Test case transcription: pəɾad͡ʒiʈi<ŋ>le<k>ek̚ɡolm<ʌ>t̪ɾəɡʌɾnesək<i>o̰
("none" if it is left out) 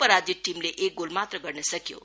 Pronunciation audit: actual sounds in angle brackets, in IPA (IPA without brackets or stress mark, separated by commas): m, ʔ, a, j